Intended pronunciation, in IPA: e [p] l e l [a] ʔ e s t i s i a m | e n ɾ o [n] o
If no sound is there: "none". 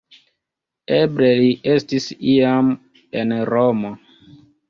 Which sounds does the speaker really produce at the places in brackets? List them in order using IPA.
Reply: b, i, m

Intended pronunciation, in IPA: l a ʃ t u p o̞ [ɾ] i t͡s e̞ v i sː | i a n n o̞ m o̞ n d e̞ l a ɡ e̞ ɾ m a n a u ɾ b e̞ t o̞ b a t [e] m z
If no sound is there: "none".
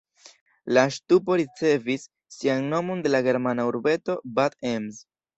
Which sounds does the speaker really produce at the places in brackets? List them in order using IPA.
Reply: ɾ, e

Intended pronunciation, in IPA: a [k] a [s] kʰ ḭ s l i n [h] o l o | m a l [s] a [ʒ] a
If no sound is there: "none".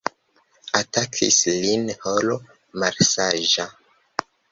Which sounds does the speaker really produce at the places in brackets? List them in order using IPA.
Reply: t, none, h, s, ʒ

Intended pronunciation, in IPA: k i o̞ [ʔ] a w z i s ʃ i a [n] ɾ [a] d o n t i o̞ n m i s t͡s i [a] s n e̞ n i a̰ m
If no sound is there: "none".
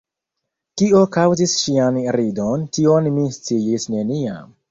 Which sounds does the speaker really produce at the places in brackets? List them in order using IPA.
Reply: k, n, i, i

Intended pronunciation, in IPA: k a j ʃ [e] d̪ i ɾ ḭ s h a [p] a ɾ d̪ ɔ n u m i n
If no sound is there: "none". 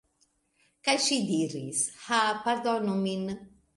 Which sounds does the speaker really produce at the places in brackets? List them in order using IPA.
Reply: i, p

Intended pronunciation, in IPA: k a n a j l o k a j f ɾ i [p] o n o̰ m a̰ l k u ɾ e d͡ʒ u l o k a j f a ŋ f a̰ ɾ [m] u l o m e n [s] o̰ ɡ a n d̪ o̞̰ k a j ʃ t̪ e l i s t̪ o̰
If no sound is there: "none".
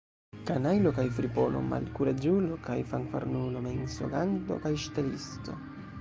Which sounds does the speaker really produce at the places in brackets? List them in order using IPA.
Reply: p, n, s

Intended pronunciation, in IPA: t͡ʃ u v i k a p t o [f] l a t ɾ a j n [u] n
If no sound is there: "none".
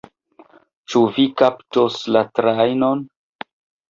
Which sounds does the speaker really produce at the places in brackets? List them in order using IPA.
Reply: s, o

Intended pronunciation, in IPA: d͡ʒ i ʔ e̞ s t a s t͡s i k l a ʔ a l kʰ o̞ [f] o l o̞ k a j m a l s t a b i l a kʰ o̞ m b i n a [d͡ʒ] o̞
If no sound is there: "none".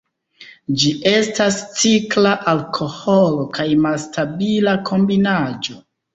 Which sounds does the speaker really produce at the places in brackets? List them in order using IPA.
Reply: h, d͡ʒ

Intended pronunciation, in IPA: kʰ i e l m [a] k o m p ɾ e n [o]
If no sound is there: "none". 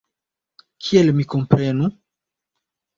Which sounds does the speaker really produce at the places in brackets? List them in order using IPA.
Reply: i, u

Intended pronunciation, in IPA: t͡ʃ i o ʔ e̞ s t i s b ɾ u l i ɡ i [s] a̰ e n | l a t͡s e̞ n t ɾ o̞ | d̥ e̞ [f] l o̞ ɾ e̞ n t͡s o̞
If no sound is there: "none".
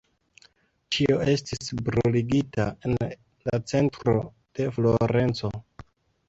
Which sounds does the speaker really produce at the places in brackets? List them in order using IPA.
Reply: t, f

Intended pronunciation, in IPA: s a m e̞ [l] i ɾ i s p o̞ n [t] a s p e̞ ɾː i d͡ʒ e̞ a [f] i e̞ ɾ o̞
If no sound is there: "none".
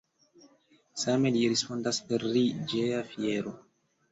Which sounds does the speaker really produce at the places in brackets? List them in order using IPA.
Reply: l, d, f

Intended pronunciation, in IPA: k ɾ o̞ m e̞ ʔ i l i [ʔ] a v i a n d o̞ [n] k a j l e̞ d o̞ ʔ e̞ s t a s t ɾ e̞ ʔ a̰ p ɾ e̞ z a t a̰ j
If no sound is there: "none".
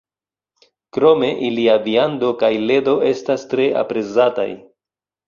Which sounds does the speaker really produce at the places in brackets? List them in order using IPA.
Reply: none, none

